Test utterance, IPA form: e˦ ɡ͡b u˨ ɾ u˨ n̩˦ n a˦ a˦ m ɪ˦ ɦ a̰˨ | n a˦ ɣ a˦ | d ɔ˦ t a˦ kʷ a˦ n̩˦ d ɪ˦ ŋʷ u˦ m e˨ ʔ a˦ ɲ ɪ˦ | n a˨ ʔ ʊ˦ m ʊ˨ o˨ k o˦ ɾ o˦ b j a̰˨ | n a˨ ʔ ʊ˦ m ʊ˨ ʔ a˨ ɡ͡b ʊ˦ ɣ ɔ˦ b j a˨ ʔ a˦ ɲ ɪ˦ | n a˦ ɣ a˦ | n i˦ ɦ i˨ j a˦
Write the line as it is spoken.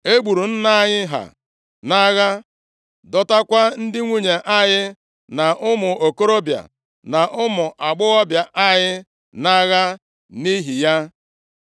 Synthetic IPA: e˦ ɡ͡b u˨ ɾ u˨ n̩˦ n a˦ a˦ ɲ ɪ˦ ɦ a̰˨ | n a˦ ɣ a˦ | d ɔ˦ t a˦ kʷ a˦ n̩˦ d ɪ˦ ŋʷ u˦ ɲ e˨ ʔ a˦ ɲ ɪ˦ | n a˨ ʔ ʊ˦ m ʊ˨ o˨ k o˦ ɾ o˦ b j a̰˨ | n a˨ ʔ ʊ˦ m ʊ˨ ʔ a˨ ɡ͡b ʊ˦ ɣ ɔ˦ b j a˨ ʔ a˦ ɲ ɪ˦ | n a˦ ɣ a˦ | n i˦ ɦ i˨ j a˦